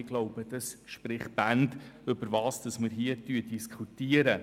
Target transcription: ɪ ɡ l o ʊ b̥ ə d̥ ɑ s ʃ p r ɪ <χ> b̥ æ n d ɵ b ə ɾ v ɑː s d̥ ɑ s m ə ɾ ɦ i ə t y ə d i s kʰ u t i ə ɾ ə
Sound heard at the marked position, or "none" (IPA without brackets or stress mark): χ